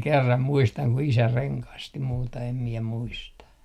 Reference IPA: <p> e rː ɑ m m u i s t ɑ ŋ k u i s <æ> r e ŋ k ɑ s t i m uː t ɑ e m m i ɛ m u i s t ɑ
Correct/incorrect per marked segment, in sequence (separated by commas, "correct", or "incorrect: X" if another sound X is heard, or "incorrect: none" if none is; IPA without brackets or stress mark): incorrect: k, correct